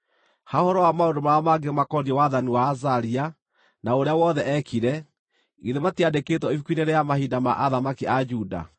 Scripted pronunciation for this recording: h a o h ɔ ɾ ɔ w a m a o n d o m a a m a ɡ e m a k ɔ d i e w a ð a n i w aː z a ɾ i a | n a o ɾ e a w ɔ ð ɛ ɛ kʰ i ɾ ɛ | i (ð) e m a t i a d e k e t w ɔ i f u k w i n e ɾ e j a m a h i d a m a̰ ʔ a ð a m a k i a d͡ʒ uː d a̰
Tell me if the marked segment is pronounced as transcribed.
yes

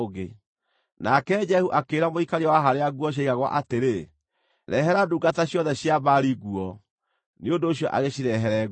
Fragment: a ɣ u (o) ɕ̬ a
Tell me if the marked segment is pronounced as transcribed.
no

